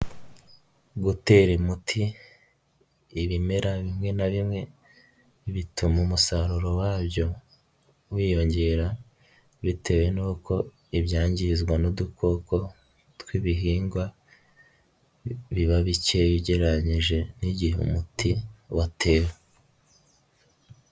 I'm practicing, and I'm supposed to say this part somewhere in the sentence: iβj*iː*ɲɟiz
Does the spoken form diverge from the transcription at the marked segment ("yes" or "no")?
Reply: yes